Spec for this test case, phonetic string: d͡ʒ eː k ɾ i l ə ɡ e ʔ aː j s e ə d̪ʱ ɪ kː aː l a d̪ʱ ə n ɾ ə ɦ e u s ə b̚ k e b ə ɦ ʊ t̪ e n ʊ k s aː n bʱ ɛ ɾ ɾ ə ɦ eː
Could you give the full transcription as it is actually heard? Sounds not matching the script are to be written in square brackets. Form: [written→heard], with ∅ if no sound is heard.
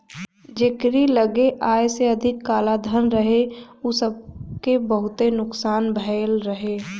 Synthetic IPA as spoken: d͡ʒ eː k ɾ i l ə ɡ e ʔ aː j s e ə d̪ʱ ɪ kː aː l a d̪ʱ ə n ɾ ə ɦ e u s ə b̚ k e b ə ɦ ʊ t̪ e n ʊ k s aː n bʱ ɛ [ɾ→l] ɾ ə ɦ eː